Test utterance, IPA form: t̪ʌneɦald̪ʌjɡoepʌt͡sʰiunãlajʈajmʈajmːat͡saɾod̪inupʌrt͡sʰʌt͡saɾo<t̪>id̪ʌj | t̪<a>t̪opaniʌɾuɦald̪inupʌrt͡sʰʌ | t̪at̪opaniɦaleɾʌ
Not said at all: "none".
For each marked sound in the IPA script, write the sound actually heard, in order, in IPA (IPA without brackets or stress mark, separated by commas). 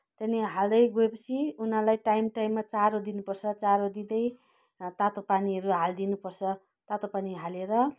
d̪, a